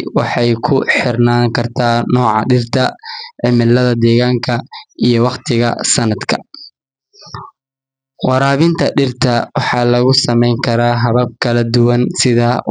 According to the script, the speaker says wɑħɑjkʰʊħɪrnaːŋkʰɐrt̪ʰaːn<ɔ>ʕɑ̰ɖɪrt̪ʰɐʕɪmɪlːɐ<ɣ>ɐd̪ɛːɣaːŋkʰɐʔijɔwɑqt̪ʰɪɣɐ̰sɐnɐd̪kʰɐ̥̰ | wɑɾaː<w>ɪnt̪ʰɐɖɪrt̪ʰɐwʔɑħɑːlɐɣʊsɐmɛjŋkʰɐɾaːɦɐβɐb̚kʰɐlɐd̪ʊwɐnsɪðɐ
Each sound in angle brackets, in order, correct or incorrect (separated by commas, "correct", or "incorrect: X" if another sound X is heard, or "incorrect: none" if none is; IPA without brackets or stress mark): incorrect: ɔː, incorrect: ð, incorrect: β